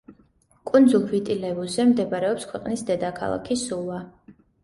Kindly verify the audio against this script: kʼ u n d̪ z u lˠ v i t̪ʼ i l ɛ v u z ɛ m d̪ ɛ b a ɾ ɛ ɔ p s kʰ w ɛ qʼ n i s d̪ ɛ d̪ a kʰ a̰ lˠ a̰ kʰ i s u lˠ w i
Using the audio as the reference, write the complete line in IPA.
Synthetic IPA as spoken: kʼ u n d̪ z u lˠ v i t̪ʼ i l ɛ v u z ɛ m d̪ ɛ b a ɾ ɛ ɔ p s kʰ w ɛ qʼ n i s d̪ ɛ d̪ a kʰ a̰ lˠ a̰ kʰ i s u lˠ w a